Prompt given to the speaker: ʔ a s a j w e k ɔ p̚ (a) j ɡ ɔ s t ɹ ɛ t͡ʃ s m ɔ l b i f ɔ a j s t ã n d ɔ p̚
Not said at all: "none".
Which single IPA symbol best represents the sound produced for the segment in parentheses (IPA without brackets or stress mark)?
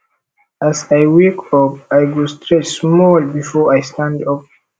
a